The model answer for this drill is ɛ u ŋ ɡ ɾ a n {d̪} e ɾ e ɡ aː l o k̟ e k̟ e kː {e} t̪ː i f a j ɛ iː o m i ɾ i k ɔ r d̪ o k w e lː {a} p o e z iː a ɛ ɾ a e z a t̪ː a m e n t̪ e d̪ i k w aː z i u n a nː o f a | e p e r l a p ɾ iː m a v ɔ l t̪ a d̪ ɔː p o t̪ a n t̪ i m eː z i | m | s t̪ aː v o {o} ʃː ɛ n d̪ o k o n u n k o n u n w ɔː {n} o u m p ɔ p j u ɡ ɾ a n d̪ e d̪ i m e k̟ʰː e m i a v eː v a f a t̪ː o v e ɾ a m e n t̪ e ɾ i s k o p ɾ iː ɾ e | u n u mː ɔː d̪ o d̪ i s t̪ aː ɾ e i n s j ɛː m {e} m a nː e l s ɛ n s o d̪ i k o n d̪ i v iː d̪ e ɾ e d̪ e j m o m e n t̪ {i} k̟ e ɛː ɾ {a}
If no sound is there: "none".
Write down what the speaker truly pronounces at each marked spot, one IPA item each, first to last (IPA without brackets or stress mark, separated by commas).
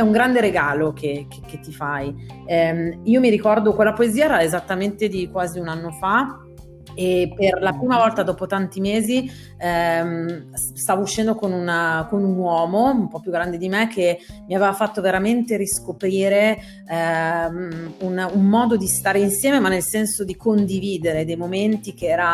d̪, e, a, u, m, e, i, a